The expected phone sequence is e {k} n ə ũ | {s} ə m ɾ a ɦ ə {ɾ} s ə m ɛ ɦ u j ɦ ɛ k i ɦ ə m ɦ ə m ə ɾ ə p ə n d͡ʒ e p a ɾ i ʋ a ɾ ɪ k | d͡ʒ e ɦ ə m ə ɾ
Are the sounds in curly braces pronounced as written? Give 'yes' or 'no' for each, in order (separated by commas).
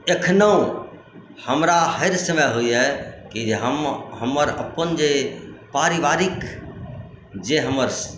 no, no, yes